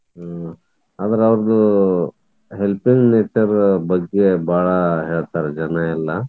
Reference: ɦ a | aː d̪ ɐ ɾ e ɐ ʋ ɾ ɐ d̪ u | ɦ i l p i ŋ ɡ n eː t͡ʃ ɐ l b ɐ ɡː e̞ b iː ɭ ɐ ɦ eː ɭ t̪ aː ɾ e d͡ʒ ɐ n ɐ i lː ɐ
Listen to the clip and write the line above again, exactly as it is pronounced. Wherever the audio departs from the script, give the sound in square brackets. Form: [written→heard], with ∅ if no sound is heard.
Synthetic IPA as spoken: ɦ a | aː d̪ ɐ ɾ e ɐ ʋ ɾ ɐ d̪ u | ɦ [i→e] l p i ŋ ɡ n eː t͡ʃ ɐ [l→ɾ] b ɐ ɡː e̞ b [iː→aː] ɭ ɐ ɦ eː ɭ t̪ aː ɾ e d͡ʒ ɐ n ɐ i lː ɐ